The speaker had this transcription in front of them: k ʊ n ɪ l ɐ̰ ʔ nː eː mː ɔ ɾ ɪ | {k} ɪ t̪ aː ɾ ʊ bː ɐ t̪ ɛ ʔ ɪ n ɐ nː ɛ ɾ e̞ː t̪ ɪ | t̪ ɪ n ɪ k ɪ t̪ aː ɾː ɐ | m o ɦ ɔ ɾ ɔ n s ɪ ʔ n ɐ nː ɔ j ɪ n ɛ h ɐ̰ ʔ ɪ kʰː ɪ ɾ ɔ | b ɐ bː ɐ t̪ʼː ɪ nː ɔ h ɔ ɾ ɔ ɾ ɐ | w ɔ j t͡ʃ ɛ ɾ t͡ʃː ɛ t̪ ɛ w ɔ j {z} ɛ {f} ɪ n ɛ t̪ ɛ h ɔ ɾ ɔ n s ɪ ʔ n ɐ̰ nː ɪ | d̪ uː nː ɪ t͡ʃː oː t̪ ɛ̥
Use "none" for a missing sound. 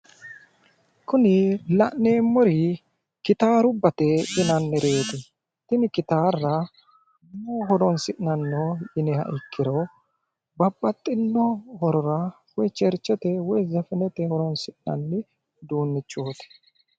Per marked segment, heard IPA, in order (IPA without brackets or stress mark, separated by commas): k, z, f